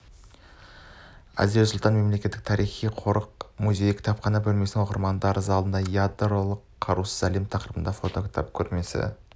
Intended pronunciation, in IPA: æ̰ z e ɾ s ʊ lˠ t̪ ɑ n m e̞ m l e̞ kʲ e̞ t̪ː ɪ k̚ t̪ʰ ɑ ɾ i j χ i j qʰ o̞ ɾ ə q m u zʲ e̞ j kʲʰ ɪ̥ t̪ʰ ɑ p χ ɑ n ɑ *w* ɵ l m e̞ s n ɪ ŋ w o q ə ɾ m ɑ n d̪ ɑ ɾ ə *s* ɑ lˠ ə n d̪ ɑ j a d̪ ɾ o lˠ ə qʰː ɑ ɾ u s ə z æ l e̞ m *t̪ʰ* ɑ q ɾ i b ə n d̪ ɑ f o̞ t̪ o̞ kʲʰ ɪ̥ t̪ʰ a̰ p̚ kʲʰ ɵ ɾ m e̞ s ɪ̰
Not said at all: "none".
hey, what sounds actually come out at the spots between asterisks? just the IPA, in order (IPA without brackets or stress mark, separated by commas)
b, z, t̪ʰ